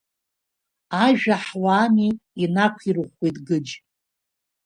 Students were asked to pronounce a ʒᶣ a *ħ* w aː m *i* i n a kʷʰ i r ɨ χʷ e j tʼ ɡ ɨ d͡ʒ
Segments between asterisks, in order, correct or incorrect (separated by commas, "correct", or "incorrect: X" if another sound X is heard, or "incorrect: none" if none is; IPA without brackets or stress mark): correct, correct